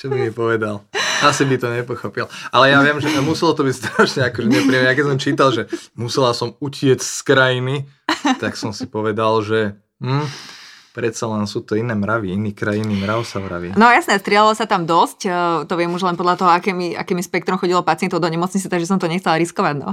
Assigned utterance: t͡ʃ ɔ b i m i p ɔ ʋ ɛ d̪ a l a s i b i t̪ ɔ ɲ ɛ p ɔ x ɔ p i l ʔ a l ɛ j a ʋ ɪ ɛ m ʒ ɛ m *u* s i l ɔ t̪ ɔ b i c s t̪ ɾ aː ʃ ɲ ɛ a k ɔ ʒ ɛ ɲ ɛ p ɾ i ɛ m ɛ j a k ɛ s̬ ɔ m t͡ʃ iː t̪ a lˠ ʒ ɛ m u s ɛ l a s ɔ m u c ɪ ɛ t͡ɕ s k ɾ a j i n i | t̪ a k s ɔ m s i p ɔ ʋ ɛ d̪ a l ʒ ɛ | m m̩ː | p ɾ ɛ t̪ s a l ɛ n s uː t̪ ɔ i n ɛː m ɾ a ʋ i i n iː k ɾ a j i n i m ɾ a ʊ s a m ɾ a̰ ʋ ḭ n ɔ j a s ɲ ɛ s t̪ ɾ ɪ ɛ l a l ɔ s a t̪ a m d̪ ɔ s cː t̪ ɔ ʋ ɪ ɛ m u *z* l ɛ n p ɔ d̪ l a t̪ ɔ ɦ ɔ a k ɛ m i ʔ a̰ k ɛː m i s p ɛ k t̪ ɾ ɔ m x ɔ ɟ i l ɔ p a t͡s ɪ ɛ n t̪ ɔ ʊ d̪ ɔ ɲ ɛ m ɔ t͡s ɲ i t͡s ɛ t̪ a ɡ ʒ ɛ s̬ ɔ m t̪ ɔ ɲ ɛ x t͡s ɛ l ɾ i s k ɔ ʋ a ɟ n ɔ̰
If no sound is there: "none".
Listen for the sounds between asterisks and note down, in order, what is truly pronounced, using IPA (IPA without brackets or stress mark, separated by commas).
u, ʒ